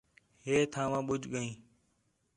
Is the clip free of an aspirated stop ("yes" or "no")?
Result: no